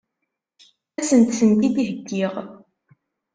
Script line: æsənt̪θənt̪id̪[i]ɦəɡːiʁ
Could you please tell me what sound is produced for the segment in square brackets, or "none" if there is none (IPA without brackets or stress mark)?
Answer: i